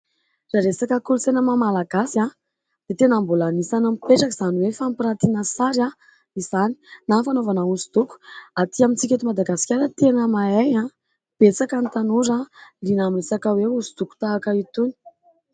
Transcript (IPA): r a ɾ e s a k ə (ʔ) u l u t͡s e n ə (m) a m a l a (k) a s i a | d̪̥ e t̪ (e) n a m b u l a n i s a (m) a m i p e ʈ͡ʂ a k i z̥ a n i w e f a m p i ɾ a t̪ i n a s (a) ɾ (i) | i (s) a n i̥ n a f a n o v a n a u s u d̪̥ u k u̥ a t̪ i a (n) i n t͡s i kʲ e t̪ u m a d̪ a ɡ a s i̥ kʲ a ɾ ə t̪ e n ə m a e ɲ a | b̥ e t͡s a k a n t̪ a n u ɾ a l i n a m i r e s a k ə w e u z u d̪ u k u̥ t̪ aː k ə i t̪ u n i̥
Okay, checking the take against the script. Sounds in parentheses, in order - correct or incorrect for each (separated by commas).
incorrect, correct, incorrect, correct, incorrect, correct, incorrect, incorrect, incorrect